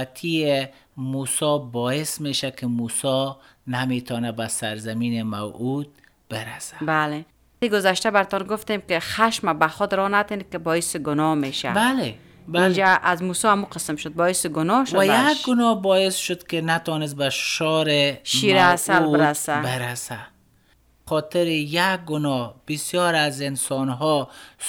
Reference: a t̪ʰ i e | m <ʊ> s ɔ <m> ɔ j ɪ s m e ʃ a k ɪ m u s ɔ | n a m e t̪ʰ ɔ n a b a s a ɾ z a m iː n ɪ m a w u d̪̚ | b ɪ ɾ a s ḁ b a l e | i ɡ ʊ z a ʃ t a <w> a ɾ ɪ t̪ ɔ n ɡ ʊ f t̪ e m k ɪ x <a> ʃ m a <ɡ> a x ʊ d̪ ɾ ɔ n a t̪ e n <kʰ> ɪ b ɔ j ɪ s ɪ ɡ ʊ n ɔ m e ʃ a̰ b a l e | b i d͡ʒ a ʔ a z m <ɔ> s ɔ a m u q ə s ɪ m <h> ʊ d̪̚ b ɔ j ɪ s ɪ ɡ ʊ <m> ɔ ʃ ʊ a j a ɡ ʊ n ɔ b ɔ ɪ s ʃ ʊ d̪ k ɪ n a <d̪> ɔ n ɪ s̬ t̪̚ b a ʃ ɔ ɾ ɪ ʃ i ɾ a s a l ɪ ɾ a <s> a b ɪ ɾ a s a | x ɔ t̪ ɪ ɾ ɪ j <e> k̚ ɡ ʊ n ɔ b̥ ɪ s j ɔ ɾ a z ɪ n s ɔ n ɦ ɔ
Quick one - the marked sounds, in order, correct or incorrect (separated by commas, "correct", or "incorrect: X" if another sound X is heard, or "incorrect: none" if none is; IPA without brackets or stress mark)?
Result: incorrect: u, incorrect: b, incorrect: b, correct, incorrect: b, incorrect: k, incorrect: u, incorrect: ʃ, incorrect: n, incorrect: t̪, correct, incorrect: a